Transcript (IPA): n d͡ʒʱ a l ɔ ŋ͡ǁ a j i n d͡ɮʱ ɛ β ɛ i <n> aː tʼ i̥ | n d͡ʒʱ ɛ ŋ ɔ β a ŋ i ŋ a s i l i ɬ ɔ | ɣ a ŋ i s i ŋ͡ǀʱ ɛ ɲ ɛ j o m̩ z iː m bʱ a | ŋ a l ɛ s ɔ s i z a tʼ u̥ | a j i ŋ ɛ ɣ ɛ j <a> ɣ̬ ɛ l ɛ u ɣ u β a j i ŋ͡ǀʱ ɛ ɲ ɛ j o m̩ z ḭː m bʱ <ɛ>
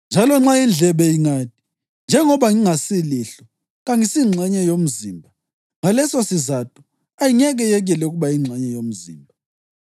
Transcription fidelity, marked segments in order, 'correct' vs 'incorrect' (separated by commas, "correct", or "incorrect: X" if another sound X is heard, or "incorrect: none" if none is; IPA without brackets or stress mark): incorrect: ŋ, incorrect: ɛ, incorrect: a